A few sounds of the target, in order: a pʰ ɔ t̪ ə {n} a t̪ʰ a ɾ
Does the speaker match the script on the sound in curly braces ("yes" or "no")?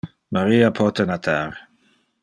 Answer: yes